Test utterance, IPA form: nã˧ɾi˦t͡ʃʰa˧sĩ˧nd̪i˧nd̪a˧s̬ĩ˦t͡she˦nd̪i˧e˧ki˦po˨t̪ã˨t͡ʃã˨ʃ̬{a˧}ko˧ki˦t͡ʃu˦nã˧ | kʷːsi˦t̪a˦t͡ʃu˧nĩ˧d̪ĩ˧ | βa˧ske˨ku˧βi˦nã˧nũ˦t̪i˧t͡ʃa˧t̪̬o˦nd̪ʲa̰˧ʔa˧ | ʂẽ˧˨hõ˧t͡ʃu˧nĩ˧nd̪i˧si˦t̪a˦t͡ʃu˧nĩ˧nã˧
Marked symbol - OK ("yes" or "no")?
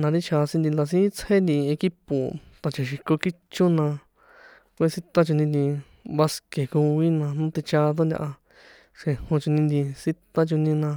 no